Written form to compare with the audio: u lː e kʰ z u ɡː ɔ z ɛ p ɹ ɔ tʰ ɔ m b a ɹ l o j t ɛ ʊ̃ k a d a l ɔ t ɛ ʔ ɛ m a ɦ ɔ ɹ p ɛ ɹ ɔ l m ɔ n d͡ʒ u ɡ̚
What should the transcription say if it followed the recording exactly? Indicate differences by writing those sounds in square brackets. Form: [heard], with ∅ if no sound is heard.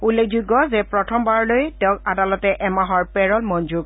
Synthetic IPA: u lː e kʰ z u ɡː ɔ z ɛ p ɹ ɔ tʰ ɔ m b a ɹ l o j t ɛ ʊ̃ k a d a l ɔ t ɛ ʔ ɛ m a ɦ ɔ ɹ p ɛ ɹ ɔ l m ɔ n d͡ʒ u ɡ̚